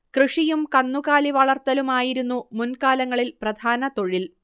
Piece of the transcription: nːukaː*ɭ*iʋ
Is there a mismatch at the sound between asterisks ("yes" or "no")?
yes